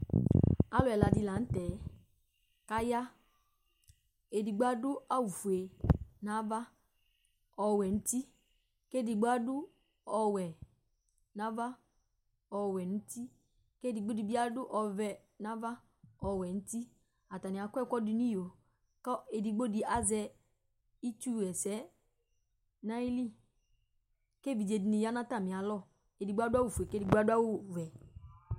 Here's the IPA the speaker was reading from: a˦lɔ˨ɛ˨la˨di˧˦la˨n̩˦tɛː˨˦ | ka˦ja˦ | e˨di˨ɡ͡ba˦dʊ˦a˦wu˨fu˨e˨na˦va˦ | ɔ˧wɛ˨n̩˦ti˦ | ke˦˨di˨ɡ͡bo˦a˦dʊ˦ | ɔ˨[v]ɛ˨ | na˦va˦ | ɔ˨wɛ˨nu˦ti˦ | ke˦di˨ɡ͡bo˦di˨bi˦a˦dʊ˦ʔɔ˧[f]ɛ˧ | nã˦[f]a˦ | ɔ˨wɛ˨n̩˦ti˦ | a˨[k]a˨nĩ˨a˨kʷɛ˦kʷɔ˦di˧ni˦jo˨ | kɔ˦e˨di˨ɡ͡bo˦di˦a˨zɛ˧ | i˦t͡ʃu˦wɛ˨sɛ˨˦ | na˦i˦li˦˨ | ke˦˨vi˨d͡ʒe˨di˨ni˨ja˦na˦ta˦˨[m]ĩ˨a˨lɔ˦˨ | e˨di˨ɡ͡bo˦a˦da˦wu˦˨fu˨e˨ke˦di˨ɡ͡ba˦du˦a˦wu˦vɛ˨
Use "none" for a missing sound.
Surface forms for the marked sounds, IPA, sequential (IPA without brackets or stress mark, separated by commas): w, v, v, t, m